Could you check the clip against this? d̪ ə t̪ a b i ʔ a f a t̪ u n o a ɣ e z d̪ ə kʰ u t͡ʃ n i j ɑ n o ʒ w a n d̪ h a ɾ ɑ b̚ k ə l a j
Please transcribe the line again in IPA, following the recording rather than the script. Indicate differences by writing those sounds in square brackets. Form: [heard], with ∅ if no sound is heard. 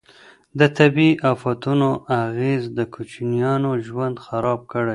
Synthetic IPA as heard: d̪ ə t̪ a b i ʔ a f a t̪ u n o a ɣ e z d̪ ə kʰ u t͡ʃ n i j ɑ n o ʒ w a n d̪ [x] a ɾ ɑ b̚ k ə [ɽ] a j